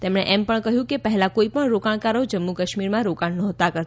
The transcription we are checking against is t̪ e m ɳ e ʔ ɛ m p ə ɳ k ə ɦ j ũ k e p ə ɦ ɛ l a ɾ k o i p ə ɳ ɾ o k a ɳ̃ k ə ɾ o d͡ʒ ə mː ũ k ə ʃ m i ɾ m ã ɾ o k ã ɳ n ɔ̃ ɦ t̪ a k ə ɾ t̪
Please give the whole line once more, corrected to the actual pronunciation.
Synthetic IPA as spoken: t̪ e m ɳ e ʔ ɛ m p ə ɳ k ə ɦ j ũ k e p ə ɦ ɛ l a k o i p ə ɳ ɾ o k a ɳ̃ k a ɾ o d͡ʒ ə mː u k ə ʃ m i ɾ m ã ɾ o k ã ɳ n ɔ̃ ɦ t̪ a k ə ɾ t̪